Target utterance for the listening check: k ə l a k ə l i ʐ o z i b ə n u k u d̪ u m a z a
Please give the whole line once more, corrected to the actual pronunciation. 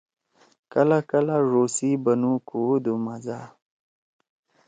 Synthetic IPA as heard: k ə l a k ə l a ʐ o s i b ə n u k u d̪ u m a z a